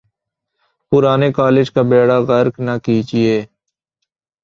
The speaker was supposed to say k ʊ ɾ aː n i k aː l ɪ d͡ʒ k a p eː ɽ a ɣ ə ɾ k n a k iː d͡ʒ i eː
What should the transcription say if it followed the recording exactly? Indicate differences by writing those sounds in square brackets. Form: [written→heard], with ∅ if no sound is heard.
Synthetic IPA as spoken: [k→p] ʊ ɾ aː n [i→e] k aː l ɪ d͡ʒ k a [p→b] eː ɽ a ɣ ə ɾ k n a k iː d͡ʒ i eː